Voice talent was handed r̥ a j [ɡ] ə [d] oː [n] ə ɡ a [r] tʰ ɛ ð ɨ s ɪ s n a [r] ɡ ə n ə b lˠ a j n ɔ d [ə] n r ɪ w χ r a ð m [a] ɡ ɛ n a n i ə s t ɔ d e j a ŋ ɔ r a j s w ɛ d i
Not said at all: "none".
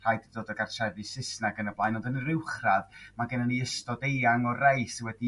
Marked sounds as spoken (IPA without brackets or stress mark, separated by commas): d, d, d, r, none, ə, a